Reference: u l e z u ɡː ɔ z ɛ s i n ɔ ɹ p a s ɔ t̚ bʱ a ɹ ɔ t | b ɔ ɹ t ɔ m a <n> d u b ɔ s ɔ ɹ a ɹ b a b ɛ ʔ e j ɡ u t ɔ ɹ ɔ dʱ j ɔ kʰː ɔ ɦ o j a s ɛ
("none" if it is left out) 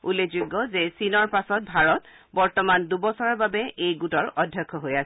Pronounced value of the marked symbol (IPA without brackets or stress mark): n